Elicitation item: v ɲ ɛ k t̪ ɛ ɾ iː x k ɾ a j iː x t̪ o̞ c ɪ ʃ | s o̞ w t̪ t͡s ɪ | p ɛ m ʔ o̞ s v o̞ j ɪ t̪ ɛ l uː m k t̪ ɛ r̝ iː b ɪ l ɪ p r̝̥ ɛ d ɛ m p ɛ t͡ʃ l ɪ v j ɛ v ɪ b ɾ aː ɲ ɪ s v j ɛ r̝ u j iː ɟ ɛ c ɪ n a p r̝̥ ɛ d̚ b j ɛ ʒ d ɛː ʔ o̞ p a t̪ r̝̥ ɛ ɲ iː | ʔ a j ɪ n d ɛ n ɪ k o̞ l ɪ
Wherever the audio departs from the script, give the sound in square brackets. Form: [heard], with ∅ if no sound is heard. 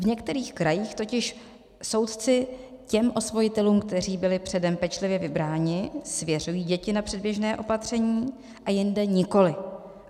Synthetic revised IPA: v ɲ ɛ k t̪ ɛ ɾ iː x k ɾ a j iː x t̪ o̞ c ɪ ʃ | s o̞ w t̪ t͡s ɪ | [c] ɛ m ʔ o̞ s v o̞ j ɪ t̪ ɛ l uː m k t̪ ɛ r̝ iː b ɪ l ɪ p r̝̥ ɛ d ɛ m p ɛ t͡ʃ l ɪ v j ɛ v ɪ b ɾ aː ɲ ɪ s v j ɛ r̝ u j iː ɟ ɛ c ɪ n a p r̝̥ ɛ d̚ b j ɛ ʒ [n] ɛː ʔ o̞ p a t̪ r̝̥ ɛ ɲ iː | ʔ a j ɪ n d ɛ [ɲ] ɪ k o̞ l ɪ